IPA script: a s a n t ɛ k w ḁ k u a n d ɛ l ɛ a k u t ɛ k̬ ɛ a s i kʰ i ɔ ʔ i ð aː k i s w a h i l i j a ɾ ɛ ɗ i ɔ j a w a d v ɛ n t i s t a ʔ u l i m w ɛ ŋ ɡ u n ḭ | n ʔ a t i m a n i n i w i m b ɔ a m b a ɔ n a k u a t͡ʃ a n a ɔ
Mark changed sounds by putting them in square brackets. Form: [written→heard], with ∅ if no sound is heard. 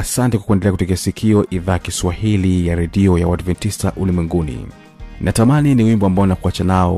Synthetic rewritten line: a s a n t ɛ k w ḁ k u [a→ɛ] n d ɛ l ɛ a k u t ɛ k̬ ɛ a s i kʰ i ɔ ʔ i ð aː k i s w a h i l i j a ɾ ɛ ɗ i ɔ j a w a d v ɛ n t i s t a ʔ u l i m w ɛ ŋ ɡ u n ḭ | n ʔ a t [i→a] m a n i n i w i m b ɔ a m b a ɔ n a k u a t͡ʃ a n a ɔ